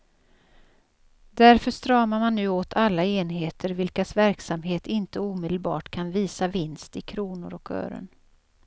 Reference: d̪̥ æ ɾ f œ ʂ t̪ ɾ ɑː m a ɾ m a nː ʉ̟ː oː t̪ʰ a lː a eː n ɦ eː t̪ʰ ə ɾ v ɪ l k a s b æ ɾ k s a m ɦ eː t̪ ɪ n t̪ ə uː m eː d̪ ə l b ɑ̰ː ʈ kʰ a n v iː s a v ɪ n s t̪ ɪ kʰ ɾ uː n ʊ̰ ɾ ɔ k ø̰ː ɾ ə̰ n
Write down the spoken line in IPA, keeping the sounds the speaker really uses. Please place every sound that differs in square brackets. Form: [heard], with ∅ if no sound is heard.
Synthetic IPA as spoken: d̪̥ æ ɾ f œ ʂ t̪ ɾ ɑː m a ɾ m a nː ʉ̟ː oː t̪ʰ a lː a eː n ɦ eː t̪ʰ ə ɾ v ɪ l k a s [v] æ ɾ k s a m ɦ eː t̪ ɪ n t̪ ə uː m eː d̪ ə l b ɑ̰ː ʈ kʰ a n v iː s a v ɪ n s t̪ ɪ kʰ ɾ uː n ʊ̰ ɾ ɔ k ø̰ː ɾ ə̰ n